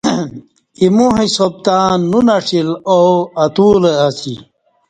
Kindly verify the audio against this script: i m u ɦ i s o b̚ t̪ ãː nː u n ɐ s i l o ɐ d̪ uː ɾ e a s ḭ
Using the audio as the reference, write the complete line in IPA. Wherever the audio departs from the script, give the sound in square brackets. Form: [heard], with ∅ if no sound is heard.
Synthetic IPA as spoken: i m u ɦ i s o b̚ t̪ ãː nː u n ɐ [ʂ] i l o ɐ [t̪] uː [l] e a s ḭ